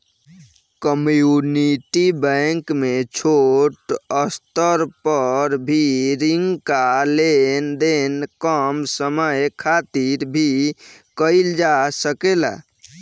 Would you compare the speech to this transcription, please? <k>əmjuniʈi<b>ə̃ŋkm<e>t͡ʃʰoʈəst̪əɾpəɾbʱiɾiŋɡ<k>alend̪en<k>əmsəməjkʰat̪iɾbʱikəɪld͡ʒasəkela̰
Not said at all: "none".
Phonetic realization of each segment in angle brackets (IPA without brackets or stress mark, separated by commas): k, b, e, k, k